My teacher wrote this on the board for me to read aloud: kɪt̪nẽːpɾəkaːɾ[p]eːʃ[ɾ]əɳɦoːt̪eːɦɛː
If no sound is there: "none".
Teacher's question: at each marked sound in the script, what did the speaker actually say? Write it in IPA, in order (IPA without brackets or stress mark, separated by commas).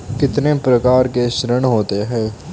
k, ɾ